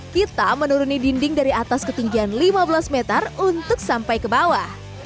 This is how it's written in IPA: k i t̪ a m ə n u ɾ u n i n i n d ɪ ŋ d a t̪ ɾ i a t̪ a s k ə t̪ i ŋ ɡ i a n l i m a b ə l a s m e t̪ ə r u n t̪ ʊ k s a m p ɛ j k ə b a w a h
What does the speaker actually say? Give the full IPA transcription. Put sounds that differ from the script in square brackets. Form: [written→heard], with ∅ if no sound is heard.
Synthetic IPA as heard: k i t̪ a m ə n u ɾ u n i [n→d] i n d ɪ ŋ d a [t̪→∅] ɾ i a t̪ a s k ə t̪ i ŋ ɡ i a n l i m a b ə l a s m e t̪ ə r u n t̪ ʊ k s a m p [ɛ→a] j k ə b a w a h